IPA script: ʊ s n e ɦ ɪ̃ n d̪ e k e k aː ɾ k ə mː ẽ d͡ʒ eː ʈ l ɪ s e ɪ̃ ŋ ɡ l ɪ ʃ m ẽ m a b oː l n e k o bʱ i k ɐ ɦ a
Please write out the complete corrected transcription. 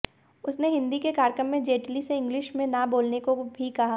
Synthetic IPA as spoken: ʊ s n e ɦ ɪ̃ n d̪ i k e k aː ɾ k ə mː ẽ d͡ʒ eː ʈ l i s e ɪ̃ ŋ ɡ l ɪ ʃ m ẽ n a b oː l n e k o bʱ i k ɐ ɦ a